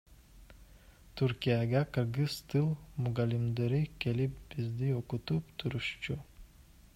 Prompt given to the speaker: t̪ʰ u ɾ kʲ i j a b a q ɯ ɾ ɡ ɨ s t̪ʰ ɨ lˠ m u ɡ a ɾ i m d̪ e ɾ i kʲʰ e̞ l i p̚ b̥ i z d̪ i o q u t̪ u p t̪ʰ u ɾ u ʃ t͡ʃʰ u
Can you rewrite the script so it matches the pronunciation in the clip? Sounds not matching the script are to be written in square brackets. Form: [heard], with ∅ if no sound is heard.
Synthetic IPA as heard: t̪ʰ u ɾ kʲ i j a [ɡ] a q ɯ ɾ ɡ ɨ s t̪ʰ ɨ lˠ m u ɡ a [l] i m d̪ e ɾ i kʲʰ e̞ l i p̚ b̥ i z d̪ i o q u t̪ u p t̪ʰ u ɾ u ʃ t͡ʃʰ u